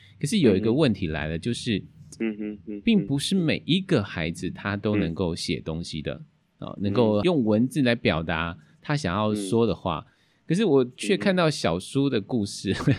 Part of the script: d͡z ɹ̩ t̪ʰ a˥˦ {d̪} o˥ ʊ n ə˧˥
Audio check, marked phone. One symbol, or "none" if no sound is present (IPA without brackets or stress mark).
t̪